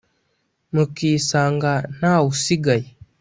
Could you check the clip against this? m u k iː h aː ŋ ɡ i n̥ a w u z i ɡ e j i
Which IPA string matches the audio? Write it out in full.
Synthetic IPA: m u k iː s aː ŋ ɡ a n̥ a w u s i ɡ a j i

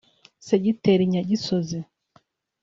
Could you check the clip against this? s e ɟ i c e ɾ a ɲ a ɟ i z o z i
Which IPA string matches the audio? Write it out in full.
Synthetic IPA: s e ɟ i t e ɾ i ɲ a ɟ i s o z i

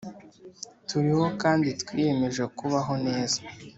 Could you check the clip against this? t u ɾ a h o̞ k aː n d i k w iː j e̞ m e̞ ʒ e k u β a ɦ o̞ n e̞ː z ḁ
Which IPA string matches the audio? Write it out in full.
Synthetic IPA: t u ɾ i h o̞ k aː n d i t w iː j e̞ m e̞ ʒ e k u β a ɦ o̞ n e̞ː z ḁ

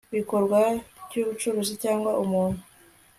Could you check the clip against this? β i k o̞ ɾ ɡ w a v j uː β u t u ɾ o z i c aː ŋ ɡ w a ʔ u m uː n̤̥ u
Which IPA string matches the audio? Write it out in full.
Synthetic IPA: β i k o̞ ɾ ɡ w a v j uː β u t͡ʃ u ɾ o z i c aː ŋ ɡ w a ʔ u m uː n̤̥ u

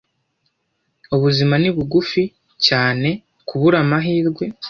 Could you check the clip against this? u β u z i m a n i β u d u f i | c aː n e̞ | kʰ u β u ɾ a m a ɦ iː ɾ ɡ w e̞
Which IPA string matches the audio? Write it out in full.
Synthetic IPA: u β u z i m a n i β u ɡ u f i | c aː n e̞ | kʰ u β u ɾ a m a ɦ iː ɾ ɡ w e̞

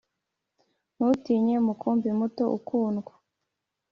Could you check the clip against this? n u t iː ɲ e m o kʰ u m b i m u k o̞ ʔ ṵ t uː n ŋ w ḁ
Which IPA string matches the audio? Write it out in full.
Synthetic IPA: n u t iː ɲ e m u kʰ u m b i m u t o̞ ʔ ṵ k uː n ɡ w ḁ

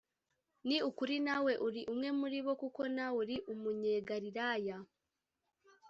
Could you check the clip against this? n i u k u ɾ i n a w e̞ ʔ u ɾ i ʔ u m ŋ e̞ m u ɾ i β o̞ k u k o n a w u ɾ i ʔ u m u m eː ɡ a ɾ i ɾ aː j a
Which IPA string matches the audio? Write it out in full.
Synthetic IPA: n i u k u ɾ i n a w e̞ ʔ u ɾ i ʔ u m ŋ e̞ m u ɾ i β o̞ k u k o n a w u ɾ i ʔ u m u ɲ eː ɡ a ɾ i ɾ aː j a

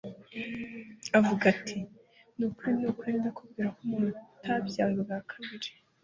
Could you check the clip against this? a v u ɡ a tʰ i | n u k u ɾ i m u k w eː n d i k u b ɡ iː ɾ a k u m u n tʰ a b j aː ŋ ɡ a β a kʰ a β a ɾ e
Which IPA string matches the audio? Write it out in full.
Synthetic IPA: a v u ɡ a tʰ i | n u k u ɾ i n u k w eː n d a k u b ɡ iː ɾ a k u m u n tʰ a b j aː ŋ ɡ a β a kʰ a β i ɾ e

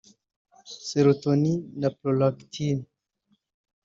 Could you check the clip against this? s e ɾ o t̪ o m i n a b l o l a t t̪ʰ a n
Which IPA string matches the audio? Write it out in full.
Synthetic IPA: s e ɾ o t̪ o n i n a p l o l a k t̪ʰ i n

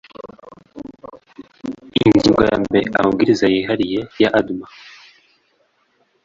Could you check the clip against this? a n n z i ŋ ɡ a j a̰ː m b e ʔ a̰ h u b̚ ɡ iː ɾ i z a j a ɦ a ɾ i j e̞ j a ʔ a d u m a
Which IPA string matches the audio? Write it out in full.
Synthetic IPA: i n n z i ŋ ɡ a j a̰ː m b e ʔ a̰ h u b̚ ɡ i ɾ i z a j i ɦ a ɾ i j e̞ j a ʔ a d u m a

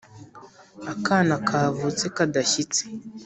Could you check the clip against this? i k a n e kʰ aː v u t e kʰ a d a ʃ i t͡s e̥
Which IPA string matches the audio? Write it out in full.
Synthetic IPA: a k a n a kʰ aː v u t͡s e k a d a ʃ i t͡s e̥

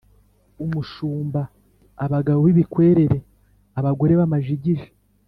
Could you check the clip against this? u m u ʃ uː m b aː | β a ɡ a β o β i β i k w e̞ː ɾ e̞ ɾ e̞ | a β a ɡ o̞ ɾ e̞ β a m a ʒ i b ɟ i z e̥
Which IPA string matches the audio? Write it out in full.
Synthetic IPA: u m u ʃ uː m b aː | β a ɡ a β o β i β i k w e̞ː ɾ e̞ ɾ e̞ | a β a ɡ o̞ ɾ e̞ β a m a ʒ i ɟ i ʒ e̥

